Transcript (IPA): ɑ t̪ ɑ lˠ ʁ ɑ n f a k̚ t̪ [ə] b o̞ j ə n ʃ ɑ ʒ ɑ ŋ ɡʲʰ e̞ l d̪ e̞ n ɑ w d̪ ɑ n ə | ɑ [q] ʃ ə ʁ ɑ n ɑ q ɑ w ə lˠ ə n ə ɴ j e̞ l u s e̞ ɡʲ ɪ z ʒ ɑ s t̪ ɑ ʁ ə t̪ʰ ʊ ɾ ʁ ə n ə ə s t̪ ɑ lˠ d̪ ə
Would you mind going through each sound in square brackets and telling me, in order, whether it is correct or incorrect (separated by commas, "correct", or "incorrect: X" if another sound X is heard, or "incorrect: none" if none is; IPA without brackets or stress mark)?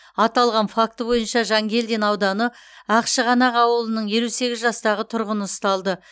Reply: correct, correct